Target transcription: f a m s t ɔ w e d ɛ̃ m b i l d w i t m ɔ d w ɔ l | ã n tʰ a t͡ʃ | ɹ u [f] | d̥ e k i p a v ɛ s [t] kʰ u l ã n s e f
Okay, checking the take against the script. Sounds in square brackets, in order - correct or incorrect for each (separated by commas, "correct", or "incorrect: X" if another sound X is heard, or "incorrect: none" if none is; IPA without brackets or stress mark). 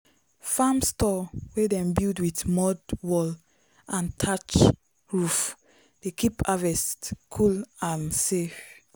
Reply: correct, correct